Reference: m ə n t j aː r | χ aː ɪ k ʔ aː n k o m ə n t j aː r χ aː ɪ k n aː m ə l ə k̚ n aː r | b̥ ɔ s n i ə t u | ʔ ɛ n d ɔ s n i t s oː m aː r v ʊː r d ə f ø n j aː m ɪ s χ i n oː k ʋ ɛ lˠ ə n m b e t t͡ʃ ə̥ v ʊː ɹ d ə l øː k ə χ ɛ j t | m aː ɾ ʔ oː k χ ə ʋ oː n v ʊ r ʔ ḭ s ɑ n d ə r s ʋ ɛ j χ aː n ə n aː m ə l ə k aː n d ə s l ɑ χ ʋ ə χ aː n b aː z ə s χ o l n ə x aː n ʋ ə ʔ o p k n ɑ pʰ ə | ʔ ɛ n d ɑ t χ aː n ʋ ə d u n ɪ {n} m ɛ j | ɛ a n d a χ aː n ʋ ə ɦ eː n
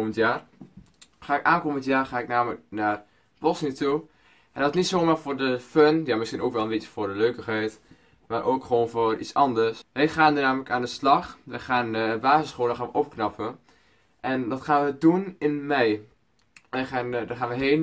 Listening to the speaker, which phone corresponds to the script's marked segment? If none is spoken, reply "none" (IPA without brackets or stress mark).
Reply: n